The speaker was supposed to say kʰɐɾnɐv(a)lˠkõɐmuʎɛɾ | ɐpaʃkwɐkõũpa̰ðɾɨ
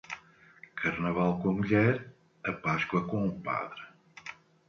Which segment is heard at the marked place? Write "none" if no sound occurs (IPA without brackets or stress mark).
a